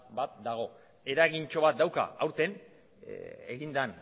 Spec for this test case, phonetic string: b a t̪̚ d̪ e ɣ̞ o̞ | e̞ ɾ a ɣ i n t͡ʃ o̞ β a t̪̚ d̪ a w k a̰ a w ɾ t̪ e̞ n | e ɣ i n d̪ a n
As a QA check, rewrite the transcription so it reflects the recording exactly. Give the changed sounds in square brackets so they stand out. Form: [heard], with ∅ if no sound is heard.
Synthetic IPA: b a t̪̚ d̪ [a] ɣ̞ o̞ | e̞ ɾ a ɣ i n t͡ʃ o̞ β a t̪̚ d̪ a w k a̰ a w ɾ t̪ e̞ n | e ɣ i n d̪ a n